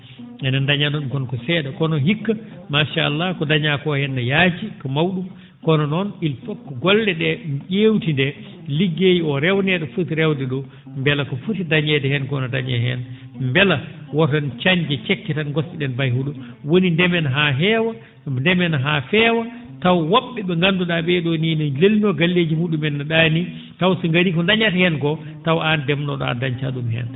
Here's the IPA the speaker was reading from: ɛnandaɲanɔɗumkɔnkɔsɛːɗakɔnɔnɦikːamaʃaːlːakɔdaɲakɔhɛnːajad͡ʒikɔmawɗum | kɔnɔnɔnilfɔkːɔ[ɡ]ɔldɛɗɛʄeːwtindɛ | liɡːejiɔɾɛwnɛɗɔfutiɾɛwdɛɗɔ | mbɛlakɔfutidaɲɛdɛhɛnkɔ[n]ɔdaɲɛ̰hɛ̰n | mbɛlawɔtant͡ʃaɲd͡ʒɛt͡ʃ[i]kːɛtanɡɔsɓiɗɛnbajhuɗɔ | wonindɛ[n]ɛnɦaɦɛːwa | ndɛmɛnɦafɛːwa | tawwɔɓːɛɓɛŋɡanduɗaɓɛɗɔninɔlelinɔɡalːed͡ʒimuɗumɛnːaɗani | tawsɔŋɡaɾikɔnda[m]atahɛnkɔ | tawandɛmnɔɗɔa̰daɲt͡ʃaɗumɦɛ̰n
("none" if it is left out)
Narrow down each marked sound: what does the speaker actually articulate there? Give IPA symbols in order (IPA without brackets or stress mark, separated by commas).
ɡ, n, ɛ, m, ɲ